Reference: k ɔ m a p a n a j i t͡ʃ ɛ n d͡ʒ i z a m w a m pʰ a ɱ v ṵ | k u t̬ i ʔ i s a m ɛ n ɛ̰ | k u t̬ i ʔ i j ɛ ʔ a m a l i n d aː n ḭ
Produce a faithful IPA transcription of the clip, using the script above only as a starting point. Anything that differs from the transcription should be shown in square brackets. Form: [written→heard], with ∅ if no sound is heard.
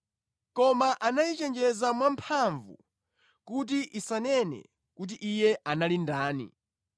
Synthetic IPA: k ɔ m a [p→ʔ] a n a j i t͡ʃ ɛ n d͡ʒ [i→ɛ] z a m w a m pʰ a ɱ v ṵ | k u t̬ i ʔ i s a [m→n] ɛ n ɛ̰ | k u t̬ i ʔ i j ɛ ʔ a [m→n] a l i n d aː n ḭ